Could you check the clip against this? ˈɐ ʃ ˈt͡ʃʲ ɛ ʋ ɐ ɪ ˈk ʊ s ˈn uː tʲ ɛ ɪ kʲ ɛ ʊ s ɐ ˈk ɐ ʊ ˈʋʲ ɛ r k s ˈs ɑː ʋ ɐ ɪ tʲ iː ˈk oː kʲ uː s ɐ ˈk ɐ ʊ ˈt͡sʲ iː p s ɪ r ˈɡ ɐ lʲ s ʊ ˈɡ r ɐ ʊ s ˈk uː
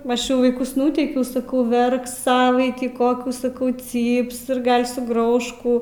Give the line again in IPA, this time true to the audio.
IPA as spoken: ˈɐ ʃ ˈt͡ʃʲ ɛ ʋ ɐ ɪ ˈk ʊ s ˈn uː tʲ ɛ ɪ kʲ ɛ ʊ s ɐ ˈk ɐ ʊ ˈʋʲ ɛ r k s ˈs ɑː ʋ ɐ ɪ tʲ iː ˈk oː kʲ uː s ɐ ˈk ɐ ʊ ˈt͡sʲ iː p s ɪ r ˈɡ ɐ lʲ s ʊ ˈɡ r ɐ ʊ ʃ ˈk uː

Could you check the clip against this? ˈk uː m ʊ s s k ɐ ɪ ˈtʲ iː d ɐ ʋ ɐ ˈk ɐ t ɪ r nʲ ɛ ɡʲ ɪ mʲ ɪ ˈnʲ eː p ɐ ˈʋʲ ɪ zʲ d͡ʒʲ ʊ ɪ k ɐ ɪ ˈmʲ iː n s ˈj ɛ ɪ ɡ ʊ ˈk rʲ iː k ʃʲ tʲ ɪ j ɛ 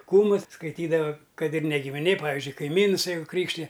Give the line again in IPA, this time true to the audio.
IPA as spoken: ˈk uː m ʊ s s k ɐ ɪ ˈtʲ iː d ɐ ʋ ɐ ˈk ɐ t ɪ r nʲ ɛ ɡʲ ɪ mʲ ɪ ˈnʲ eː p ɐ ˈʋʲ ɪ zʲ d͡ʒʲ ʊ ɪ k ɐ ɪ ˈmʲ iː n s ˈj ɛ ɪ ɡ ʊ ˈk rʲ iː k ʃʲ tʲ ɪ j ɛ

